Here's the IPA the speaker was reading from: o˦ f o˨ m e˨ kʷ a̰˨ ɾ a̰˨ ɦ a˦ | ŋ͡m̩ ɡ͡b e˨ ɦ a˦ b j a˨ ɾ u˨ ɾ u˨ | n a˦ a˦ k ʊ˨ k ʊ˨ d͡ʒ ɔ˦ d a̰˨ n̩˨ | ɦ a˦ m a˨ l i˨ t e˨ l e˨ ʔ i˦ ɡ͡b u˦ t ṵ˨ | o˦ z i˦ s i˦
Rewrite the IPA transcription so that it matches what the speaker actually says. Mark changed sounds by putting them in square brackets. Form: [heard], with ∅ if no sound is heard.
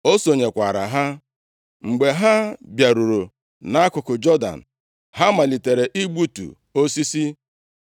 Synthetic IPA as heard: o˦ [s] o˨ [ɲ] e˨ kʷ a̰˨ ɾ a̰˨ ɦ a˦ | ŋ͡m̩ ɡ͡b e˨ ɦ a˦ b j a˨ ɾ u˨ ɾ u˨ | n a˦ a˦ k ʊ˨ k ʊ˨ d͡ʒ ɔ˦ d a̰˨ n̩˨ | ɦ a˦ m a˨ l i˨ t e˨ [ɾ] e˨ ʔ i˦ ɡ͡b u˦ t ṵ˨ | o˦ [s] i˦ s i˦